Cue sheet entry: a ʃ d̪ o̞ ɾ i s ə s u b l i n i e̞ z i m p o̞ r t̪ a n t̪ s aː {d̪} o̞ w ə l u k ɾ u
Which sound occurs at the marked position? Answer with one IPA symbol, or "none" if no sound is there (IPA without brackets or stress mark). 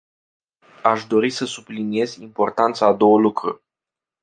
d̪